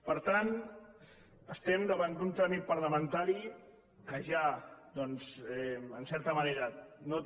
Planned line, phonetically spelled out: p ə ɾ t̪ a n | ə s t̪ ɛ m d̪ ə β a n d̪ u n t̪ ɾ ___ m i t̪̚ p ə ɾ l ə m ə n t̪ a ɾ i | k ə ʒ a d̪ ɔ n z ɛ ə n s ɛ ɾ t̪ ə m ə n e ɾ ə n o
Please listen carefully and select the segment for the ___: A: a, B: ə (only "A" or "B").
A